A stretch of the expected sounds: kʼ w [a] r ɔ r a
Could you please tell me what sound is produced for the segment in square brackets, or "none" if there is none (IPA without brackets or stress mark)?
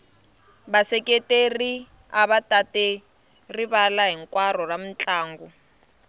a